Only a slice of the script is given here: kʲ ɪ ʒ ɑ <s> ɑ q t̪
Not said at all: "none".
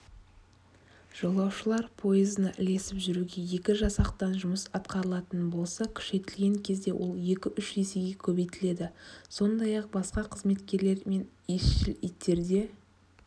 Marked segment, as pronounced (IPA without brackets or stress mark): s